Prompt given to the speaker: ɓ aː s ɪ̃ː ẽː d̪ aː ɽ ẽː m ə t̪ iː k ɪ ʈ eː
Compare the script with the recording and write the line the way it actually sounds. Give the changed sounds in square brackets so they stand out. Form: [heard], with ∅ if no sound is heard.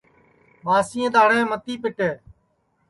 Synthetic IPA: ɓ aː s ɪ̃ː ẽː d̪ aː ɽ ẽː m ə t̪ iː [p] ɪ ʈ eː